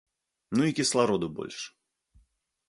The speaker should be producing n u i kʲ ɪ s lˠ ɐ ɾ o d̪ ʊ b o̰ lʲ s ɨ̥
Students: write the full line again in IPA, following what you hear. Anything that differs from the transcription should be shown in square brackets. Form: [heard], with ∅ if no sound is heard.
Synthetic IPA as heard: n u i kʲ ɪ s lˠ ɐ ɾ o d̪ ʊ b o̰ lʲ [ʂ] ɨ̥